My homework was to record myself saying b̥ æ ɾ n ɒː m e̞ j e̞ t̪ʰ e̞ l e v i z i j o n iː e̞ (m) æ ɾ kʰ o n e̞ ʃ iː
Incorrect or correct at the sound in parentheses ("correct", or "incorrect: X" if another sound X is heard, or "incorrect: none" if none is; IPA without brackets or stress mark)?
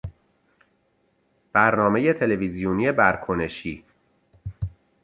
incorrect: b